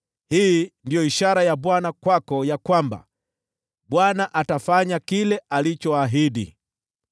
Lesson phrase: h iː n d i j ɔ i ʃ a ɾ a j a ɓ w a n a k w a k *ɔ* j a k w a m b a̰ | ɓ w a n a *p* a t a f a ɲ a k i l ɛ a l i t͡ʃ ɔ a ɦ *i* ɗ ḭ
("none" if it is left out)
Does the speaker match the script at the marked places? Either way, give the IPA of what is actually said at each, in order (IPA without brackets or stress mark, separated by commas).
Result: ɔ, ʔ, i